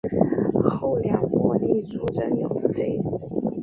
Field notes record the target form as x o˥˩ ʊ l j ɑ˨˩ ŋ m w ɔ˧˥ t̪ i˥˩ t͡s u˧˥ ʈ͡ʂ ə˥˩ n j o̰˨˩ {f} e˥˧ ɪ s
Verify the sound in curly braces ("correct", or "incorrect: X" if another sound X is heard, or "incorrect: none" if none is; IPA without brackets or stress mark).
correct